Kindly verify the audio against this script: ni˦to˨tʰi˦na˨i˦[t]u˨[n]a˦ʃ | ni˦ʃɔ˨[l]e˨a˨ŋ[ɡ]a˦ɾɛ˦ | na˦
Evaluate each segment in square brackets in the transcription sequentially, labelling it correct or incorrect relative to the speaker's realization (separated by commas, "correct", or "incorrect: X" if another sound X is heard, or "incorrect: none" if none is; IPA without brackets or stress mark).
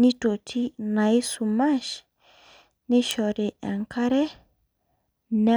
incorrect: s, incorrect: m, incorrect: ɾ, incorrect: k